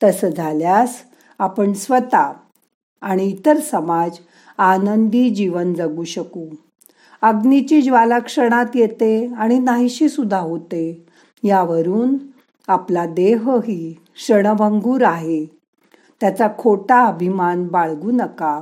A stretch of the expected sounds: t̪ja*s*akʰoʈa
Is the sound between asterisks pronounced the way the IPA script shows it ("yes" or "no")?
no